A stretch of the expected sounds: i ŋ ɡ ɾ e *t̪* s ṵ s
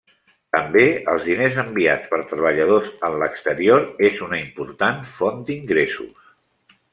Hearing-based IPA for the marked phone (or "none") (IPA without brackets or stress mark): none